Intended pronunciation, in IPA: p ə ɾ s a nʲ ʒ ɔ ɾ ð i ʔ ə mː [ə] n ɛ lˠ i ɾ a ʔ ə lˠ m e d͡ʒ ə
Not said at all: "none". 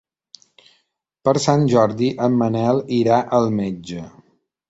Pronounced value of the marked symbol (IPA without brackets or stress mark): ə